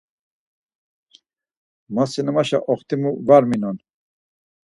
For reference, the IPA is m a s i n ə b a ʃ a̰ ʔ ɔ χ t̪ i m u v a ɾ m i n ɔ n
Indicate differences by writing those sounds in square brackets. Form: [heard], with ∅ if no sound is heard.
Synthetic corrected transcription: m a s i n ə [m] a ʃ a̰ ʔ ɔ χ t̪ i m u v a ɾ m i n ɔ n